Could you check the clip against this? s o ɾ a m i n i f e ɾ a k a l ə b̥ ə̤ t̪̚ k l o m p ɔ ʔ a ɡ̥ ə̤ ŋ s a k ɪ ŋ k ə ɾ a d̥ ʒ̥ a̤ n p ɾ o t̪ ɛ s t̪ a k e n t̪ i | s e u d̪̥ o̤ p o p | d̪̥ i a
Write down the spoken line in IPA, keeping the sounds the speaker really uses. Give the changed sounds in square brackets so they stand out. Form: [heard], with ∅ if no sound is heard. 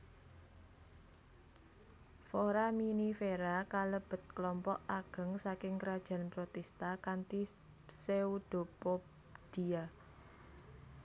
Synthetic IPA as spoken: [f] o ɾ a m i n i f e ɾ a k a l ə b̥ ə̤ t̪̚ k l [ɔ] m p ɔ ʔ a ɡ̥ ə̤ ŋ s a k ɪ ŋ k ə ɾ a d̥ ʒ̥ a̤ n p ɾ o t̪ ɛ s t̪ a k [a] n t̪ i | s e u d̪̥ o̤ p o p | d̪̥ i a